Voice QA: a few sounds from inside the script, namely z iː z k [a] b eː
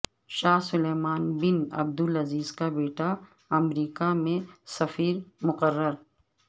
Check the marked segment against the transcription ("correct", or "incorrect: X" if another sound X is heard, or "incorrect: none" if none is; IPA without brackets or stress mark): correct